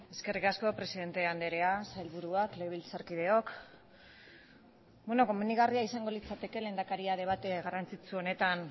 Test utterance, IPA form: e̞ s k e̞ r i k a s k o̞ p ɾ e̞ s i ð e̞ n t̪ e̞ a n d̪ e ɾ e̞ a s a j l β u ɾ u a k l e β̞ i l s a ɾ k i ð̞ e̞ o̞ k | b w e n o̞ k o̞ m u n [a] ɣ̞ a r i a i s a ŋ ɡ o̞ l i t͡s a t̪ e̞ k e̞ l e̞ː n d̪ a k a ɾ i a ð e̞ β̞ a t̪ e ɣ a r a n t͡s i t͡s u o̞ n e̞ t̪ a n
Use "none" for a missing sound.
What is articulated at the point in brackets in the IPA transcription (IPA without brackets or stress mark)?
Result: i